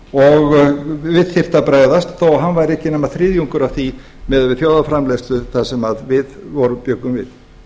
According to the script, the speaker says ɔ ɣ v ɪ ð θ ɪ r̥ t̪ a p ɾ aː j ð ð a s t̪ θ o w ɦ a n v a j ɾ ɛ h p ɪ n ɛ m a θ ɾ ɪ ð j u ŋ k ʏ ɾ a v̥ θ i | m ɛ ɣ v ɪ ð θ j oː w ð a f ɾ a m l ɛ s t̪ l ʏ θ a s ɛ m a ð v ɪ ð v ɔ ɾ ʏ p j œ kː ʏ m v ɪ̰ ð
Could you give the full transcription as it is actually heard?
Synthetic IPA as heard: ɔ ɣ v ɪ ð θ ɪ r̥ t̪ a p ɾ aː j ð ð a s t̪ θ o w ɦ a n v a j ɾ ɛ h c ɪ n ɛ m a θ ɾ ɪ ð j u ŋ k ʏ ɾ a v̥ θ i | m ɛ ð v ɪ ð θ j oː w ð a f ɾ a m l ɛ s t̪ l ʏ θ a s ɛ m a ð v ɪ ð v ɔ ɾ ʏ p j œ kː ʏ m v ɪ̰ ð